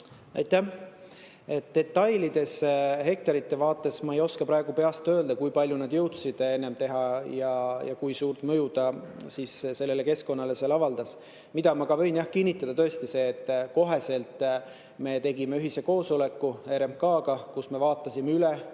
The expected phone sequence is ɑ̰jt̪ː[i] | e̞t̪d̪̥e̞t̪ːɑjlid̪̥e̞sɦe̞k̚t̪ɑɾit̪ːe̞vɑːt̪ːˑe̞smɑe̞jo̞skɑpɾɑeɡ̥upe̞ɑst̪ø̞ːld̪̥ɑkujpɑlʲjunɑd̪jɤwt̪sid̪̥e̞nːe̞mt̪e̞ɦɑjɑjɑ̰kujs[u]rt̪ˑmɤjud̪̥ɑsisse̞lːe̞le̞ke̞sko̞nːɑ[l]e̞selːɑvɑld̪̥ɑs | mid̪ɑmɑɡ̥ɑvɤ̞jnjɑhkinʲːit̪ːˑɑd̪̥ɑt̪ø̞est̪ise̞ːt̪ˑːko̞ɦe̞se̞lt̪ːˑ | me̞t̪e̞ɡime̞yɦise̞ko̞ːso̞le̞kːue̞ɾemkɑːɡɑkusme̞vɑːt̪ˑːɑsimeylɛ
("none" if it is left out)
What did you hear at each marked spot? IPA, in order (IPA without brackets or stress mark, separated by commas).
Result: æ, uː, l